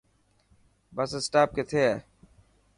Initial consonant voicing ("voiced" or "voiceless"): voiced